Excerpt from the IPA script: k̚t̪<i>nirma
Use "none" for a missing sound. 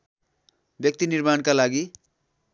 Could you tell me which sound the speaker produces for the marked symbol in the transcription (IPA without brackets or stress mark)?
i